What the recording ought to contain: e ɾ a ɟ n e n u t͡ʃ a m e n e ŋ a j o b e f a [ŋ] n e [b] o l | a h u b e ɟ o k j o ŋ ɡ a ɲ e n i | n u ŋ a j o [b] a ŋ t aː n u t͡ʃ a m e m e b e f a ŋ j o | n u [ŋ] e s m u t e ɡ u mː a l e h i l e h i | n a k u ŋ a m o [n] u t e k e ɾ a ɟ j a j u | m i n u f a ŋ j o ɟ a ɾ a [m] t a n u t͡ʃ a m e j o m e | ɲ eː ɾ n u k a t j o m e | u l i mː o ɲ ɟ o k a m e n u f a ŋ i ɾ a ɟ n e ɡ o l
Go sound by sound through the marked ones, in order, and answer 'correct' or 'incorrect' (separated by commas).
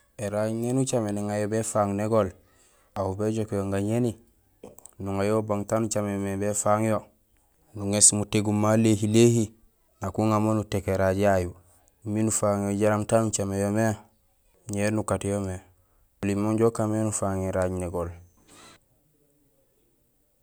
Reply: correct, incorrect, correct, correct, correct, correct